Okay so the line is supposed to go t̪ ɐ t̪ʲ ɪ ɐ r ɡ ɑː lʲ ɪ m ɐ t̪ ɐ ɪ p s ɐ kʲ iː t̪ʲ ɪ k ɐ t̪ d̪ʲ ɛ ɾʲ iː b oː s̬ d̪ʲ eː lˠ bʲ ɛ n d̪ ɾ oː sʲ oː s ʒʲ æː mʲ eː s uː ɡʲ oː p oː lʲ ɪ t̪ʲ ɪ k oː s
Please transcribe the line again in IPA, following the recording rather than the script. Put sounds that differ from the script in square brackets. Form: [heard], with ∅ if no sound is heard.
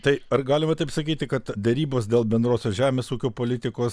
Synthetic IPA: t̪ ɐ [∅] ɪ ɐ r ɡ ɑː lʲ ɪ m ɐ t̪ ɐ ɪ p s ɐ kʲ iː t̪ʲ ɪ k ɐ t̪ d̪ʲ ɛ ɾʲ iː b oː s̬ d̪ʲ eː lˠ bʲ ɛ n d̪ ɾ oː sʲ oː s ʒʲ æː mʲ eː s uː [kʲ] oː p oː lʲ ɪ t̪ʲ ɪ k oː s

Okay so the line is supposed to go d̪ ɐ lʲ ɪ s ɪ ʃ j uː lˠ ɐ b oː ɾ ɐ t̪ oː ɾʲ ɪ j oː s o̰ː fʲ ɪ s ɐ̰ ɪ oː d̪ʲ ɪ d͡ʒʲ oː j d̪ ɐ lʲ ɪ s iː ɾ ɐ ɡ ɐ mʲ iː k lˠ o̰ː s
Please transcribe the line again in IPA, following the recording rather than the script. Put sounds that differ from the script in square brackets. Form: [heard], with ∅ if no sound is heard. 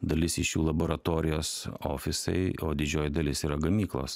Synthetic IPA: d̪ ɐ lʲ ɪ s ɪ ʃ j uː lˠ ɐ b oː ɾ ɐ t̪ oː ɾʲ ɪ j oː s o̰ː fʲ ɪ s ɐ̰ ɪ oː d̪ʲ ɪ d͡ʒʲ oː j d̪ ɐ lʲ ɪ s iː ɾ ɐ ɡ ɐ mʲ iː k lˠ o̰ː s

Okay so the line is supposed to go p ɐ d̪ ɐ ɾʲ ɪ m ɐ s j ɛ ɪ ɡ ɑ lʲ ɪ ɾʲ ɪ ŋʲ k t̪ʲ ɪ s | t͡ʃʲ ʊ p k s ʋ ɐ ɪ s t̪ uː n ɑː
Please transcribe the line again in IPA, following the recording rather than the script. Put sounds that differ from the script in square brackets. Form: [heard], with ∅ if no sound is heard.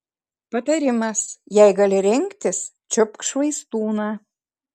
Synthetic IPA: p ɐ [t̪] ɐ ɾʲ ɪ m ɐ s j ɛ ɪ ɡ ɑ lʲ ɪ ɾʲ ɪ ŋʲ k t̪ʲ ɪ s | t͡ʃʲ ʊ p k [ʃ] ʋ ɐ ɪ s t̪ uː n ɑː

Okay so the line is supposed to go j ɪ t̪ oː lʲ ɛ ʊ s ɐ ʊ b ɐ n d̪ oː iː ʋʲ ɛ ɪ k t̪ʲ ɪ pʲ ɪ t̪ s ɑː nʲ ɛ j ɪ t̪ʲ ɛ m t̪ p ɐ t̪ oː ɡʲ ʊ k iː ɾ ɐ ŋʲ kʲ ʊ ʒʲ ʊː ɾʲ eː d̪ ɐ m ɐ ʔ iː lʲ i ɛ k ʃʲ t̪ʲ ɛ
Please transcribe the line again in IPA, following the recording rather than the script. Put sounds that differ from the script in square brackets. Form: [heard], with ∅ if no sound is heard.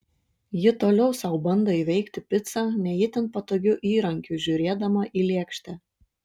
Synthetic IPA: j ɪ t̪ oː lʲ ɛ ʊ s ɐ ʊ b ɐ n d̪ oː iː ʋʲ ɛ ɪ k t̪ʲ ɪ pʲ ɪ t̪ s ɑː nʲ ɛ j ɪ t̪ʲ ɛ [n] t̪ p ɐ t̪ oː ɡʲ ʊ [ʔ] iː ɾ ɐ ŋʲ kʲ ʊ ʒʲ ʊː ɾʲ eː d̪ ɐ m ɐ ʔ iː lʲ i ɛ k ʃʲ t̪ʲ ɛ

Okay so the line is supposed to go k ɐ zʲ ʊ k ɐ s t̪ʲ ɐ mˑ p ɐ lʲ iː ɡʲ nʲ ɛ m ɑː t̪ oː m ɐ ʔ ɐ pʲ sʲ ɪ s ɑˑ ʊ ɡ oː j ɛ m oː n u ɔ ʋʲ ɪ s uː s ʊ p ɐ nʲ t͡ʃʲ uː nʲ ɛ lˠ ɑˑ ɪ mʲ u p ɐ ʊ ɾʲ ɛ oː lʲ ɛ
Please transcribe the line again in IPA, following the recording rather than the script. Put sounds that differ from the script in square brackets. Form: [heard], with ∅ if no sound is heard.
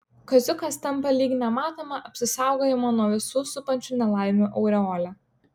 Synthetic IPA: k ɐ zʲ ʊ k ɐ s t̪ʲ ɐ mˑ p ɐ lʲ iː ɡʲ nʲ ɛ m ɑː t̪ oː m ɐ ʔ ɐ pʲ sʲ ɪ s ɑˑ ʊ ɡ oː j ɛ m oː n u ɔ ʋʲ ɪ s uː s ʊ p ɐ nʲ t͡ʃʲ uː nʲ ɛ lˠ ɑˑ ɪ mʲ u [ʔ] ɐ ʊ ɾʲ ɛ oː lʲ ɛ

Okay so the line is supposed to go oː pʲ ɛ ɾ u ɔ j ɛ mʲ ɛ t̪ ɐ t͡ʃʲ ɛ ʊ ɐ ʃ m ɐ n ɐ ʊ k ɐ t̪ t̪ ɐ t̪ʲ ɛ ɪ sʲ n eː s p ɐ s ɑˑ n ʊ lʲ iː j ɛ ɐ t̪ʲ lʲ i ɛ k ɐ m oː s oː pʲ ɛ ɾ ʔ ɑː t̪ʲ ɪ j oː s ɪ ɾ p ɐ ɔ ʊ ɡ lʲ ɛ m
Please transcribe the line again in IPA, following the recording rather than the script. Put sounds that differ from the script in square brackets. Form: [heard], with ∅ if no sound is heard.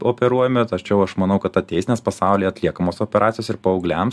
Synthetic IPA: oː pʲ ɛ ɾ u ɔ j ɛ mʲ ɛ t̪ ɐ t͡ʃʲ ɛ ʊ ɐ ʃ m ɐ n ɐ ʊ k ɐ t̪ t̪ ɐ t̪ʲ ɛ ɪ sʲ n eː s p ɐ s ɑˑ [∅] ʊ lʲ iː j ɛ ɐ t̪ʲ lʲ i ɛ k ɐ m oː s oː pʲ ɛ ɾ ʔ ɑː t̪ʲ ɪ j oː s ɪ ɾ p ɐ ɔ ʊ ɡ lʲ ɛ m

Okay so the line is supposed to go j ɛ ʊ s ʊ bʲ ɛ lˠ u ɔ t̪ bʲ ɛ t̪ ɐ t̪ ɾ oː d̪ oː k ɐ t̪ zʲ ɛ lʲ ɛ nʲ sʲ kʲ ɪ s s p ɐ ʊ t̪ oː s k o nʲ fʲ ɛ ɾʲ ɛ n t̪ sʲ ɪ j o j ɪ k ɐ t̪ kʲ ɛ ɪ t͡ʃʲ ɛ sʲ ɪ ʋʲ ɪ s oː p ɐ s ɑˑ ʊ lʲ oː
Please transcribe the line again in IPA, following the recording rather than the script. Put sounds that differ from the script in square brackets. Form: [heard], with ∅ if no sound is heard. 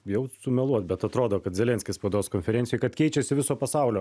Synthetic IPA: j ɛ ʊ s ʊ [mʲ] ɛ lˠ u ɔ t̪ bʲ ɛ t̪ ɐ t̪ ɾ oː d̪ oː k ɐ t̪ zʲ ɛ lʲ ɛ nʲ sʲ kʲ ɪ s s p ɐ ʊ [d̪] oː s k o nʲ fʲ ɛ ɾʲ ɛ n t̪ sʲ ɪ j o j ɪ k ɐ t̪ kʲ ɛ ɪ t͡ʃʲ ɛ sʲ ɪ ʋʲ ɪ s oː p ɐ s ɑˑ ʊ lʲ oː

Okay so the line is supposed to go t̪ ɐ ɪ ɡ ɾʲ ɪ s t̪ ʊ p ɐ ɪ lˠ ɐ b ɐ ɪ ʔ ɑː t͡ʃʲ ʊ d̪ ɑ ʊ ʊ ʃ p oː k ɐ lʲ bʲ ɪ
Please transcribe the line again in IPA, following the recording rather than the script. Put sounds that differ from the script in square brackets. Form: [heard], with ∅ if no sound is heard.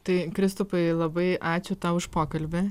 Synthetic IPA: t̪ ɐ ɪ [k] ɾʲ ɪ s t̪ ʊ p ɐ ɪ lˠ ɐ b ɐ ɪ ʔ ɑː t͡ʃʲ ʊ [t̪] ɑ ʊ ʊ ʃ p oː k ɐ lʲ bʲ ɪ

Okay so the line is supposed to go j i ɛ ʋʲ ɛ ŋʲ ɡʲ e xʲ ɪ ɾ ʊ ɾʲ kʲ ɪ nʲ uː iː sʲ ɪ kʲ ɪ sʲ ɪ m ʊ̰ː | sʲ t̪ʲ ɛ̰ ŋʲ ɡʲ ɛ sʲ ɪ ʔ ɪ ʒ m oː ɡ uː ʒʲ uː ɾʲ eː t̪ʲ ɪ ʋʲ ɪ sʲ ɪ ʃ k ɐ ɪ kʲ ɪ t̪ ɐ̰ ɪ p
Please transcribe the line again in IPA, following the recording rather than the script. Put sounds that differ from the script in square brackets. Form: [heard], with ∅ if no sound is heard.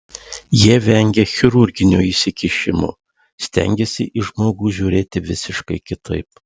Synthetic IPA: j i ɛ ʋʲ ɛ ŋʲ ɡʲ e xʲ ɪ ɾ ʊ ɾʲ [ɡʲ] ɪ nʲ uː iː sʲ ɪ kʲ ɪ [ʃʲ] ɪ m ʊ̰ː | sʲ t̪ʲ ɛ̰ ŋʲ ɡʲ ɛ sʲ ɪ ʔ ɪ ʒ m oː ɡ uː ʒʲ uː ɾʲ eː t̪ʲ ɪ ʋʲ ɪ sʲ ɪ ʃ k ɐ ɪ kʲ ɪ t̪ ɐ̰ ɪ p

